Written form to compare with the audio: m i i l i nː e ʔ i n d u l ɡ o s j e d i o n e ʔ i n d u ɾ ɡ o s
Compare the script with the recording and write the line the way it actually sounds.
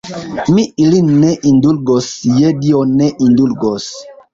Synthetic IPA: m i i l i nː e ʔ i n d u l ɡ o s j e d i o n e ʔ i n d u l ɡ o s